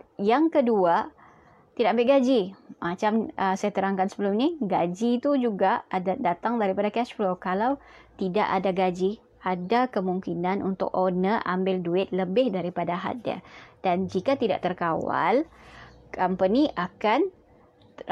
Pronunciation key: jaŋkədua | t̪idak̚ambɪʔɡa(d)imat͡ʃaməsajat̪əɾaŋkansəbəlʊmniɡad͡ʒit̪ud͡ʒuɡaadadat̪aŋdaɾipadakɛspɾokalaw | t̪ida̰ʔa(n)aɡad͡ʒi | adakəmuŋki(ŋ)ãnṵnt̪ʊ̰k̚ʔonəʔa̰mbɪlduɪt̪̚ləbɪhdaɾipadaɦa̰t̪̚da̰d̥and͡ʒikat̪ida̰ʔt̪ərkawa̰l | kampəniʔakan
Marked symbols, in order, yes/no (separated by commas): no, no, no